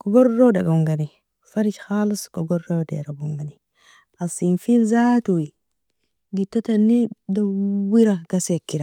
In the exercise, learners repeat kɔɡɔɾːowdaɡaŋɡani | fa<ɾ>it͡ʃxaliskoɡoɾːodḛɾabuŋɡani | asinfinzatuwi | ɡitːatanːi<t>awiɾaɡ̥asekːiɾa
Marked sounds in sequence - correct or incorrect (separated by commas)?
correct, incorrect